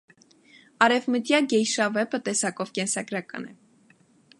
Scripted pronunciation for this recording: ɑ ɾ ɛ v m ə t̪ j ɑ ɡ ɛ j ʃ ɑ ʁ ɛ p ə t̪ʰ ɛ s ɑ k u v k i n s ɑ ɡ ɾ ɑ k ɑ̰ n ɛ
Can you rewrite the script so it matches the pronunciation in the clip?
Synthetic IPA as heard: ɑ ɾ ɛ v m ə t̪ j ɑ ɡ ɛ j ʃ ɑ v ɛ p ə t̪ ɛ s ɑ k ɔ v k ɛ n s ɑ ɡ ɾ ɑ k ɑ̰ n ɛ

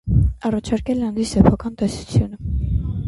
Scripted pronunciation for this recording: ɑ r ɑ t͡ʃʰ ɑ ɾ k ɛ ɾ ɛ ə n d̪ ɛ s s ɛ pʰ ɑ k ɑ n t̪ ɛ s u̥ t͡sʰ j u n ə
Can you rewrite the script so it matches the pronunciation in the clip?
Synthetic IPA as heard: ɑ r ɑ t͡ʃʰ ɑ ɾ k ɛ l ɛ ɑ n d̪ i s s ɛ pʰ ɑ k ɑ n t̪ ɛ s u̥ t͡sʰ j u n ə

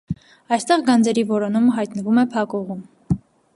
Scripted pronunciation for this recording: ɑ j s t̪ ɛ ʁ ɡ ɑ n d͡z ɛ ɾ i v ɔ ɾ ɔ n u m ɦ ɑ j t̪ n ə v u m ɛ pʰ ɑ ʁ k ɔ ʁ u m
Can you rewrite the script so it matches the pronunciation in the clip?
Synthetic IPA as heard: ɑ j s t̪ ɛ ʁ ɡ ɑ n d͡z ɛ ɾ i v ɔ ɾ ɔ n u m ɦ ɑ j t̪ n ə v u m ɛ pʰ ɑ k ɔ ʁ u m

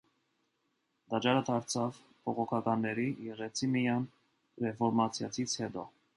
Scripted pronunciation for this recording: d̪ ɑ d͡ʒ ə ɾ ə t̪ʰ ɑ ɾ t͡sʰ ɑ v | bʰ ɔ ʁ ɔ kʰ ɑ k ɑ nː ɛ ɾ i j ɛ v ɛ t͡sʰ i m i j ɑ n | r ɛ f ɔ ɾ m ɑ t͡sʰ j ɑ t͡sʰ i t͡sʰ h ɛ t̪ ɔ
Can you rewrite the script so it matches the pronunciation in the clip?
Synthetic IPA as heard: d̪ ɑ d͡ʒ ɑ ɾ ə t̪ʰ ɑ ɾ t͡sʰ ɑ v | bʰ ɔ ʁ ɔ kʰ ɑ k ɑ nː ɛ ɾ i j ɛ ʁ ɛ t͡sʰ i m i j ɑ n | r ɛ f ɔ ɾ m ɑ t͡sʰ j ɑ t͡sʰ i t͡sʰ h ɛ t̪ ɔ

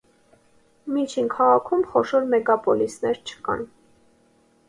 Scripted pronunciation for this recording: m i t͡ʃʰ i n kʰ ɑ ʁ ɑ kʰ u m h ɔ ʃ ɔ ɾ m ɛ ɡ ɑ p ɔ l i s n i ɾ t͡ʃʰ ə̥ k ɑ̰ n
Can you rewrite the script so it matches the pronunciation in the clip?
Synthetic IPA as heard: m i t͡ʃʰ i n kʰ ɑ ʁ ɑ kʰ u m χ ɔ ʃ ɔ ɾ m ɛ ɡ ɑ p ɔ l i s n ɛ ɾ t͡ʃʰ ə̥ k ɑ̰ n

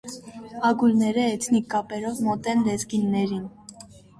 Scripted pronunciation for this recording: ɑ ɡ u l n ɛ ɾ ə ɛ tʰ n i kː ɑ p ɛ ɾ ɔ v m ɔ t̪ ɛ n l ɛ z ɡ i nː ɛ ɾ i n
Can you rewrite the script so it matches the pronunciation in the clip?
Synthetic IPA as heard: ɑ ɡ u l n ɛ ɾ ə ɛ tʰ n i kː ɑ p ɛ ɾ ɔ v m ɔ t̪ ɛ n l ɛ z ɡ i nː ɛ ɾ i n

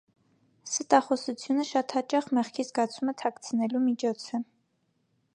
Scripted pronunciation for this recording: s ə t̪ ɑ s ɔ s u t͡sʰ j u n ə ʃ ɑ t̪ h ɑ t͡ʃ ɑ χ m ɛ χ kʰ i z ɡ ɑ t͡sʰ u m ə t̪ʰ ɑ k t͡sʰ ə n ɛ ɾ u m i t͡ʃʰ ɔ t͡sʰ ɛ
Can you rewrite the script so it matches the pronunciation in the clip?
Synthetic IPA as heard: s ə t̪ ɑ χ ɔ s u t͡sʰ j u n ə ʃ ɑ t̪ h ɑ t͡ʃ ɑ χ m ɛ χ kʰ i z ɡ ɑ t͡sʰ u m ə t̪ʰ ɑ k t͡sʰ ə n ɛ l u m i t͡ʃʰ ɔ t͡sʰ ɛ

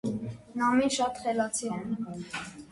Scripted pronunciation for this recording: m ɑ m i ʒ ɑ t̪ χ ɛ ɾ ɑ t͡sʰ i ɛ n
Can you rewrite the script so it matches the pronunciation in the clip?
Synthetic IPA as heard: n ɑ m i ʃ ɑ t̪ χ ɛ l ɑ t͡sʰ i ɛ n

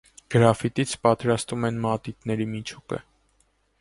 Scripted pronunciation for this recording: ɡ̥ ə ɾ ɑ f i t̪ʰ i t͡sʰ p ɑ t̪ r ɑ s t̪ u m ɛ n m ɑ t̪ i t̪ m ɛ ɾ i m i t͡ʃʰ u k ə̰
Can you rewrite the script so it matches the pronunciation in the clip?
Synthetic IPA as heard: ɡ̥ ə ɾ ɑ f i t̪ i t͡sʰ p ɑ t̪ ɾ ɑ s t̪ u m ɛ n m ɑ t̪ i t̪ n ɛ ɾ i m i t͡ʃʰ u k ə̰

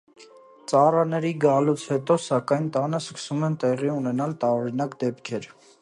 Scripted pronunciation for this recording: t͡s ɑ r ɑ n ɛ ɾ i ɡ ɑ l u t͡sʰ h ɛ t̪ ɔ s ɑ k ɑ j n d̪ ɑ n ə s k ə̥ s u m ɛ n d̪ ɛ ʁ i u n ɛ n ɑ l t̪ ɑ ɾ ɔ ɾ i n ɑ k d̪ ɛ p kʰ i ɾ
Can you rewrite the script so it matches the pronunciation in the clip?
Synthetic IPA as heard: t͡s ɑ r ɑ n ɛ ɾ i ɡ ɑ l u t͡sʰ h ɛ t̪ ɔ s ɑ k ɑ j n t̪ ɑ n ə s k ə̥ s u m ɛ n t̪ ɛ ʁ i u n ɛ n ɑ l t̪ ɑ ɾ ɔ ɾ i n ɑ k d̪ ɛ p kʰ ɛ ɾ

